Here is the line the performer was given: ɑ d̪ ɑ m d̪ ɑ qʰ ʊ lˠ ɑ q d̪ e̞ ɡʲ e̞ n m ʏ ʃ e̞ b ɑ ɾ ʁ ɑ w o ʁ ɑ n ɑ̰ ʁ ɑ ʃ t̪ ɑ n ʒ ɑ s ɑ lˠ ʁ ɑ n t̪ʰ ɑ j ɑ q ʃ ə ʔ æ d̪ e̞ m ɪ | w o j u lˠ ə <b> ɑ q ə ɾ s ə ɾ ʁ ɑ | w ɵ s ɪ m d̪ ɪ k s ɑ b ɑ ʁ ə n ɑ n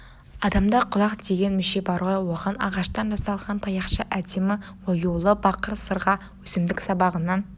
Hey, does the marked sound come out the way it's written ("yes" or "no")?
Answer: yes